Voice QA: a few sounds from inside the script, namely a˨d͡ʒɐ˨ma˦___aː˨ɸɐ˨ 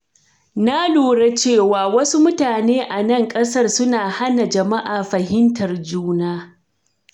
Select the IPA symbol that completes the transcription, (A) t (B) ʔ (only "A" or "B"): B